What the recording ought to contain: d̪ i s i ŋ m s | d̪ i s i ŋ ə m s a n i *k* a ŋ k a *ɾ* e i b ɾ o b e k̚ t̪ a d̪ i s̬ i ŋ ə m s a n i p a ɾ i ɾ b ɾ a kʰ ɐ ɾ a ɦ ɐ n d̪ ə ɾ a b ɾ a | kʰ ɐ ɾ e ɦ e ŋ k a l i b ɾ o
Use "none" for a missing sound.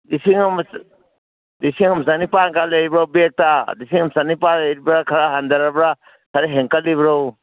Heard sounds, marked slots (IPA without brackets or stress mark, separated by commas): p, l